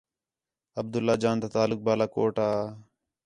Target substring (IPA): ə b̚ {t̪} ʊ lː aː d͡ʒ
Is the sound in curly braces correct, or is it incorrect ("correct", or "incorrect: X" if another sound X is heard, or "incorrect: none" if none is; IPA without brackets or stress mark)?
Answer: incorrect: d̪